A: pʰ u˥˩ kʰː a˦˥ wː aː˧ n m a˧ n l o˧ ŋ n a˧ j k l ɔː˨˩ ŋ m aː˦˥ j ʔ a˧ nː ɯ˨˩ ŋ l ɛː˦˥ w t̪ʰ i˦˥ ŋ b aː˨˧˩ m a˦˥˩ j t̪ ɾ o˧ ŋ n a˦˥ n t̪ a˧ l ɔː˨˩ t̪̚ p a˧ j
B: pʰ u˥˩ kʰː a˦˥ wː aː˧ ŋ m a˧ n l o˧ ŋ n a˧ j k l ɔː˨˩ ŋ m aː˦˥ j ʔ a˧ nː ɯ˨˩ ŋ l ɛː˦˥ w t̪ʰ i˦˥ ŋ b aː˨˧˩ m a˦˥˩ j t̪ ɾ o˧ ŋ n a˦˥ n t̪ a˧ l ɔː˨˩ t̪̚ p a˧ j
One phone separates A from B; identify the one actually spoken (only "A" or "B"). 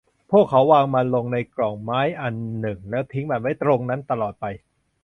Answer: B